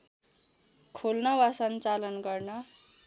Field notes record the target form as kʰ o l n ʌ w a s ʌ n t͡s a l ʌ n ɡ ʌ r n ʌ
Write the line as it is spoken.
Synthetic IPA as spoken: kʰ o l n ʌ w a s ʌ n t͡s a l ʌ n ɡ ʌ r n ʌ